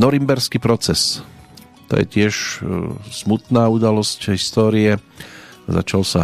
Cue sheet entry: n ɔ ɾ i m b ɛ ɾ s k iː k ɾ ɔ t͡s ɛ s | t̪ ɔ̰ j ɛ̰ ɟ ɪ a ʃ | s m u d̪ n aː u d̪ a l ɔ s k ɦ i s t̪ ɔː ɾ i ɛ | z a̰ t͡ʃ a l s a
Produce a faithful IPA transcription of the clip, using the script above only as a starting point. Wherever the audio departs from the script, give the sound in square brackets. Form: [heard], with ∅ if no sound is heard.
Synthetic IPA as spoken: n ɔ ɾ i m b ɛ ɾ s k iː [p] ɾ ɔ t͡s ɛ s | t̪ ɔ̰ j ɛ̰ [c] ɪ [ɛ] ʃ | s m u [t̪] n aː u d̪ a l ɔ s [c] ɦ i s t̪ ɔː ɾ i ɛ | z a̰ t͡ʃ a l s a